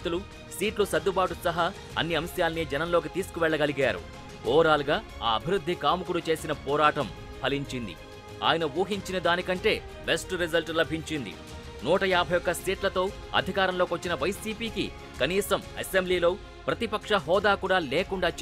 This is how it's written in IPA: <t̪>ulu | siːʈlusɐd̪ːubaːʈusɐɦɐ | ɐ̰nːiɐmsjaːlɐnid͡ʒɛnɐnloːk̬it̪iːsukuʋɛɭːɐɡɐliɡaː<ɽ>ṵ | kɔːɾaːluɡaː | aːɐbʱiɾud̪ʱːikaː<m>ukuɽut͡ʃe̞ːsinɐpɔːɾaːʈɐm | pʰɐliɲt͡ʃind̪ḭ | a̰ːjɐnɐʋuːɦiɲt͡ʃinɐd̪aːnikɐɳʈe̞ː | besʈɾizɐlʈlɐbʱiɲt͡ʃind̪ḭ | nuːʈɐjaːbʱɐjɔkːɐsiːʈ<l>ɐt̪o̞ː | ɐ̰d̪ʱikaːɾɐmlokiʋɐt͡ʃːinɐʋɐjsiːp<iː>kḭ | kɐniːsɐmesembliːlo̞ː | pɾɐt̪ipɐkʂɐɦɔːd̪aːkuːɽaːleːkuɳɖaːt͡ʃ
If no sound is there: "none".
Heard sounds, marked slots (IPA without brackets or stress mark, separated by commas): t̪, ɾ, m, l, iː